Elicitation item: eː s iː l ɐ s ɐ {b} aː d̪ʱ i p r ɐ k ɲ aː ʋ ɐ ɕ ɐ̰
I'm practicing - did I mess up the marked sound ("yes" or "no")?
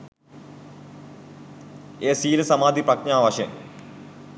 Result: yes